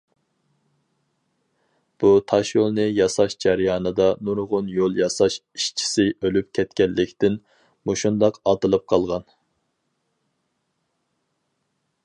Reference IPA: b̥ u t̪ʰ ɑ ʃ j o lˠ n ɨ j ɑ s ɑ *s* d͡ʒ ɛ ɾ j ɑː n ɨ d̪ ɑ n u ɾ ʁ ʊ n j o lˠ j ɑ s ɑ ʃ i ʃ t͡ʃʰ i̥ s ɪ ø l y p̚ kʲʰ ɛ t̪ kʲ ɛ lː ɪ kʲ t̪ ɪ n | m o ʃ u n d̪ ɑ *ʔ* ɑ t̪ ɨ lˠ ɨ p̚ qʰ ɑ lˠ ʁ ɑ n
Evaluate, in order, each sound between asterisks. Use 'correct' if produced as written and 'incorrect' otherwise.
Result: incorrect, incorrect

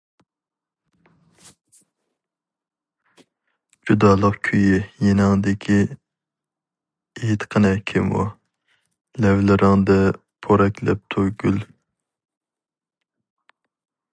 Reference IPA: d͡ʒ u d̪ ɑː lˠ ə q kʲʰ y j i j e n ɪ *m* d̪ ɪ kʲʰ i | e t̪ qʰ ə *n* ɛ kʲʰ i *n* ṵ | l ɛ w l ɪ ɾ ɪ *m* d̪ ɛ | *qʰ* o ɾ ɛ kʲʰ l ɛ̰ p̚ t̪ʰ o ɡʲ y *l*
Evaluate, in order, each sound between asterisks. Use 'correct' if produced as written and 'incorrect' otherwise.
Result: incorrect, correct, incorrect, incorrect, incorrect, correct

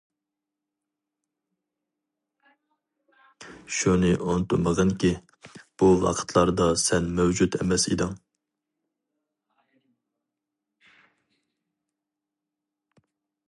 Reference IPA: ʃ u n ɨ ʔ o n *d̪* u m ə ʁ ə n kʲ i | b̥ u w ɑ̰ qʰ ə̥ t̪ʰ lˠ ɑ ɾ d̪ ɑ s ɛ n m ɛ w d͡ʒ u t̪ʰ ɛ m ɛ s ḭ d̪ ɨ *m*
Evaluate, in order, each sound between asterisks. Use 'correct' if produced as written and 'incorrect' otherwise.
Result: incorrect, incorrect

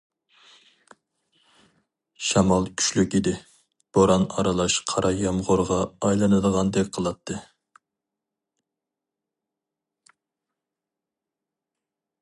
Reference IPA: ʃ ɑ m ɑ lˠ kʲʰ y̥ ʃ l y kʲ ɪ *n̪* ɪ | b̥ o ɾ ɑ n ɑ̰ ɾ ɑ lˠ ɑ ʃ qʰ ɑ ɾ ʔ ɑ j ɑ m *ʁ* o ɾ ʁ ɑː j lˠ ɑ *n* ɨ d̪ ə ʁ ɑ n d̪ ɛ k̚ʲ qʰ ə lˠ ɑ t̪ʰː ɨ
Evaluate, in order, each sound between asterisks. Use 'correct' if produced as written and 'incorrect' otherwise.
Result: incorrect, correct, correct

